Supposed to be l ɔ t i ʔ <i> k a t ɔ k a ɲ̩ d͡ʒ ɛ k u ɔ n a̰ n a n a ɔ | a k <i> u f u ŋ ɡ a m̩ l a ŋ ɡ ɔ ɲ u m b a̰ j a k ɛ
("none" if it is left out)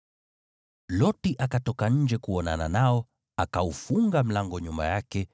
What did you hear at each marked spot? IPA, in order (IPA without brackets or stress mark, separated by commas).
a, a